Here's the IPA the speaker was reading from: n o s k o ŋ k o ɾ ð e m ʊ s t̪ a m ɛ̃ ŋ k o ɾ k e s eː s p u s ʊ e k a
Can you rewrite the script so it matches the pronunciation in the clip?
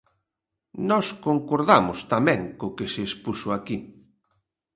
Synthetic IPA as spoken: n ɔ s k o ŋ k o ɾ ð a m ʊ s t̪ a m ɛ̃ ŋ k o k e s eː s p u s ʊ a k i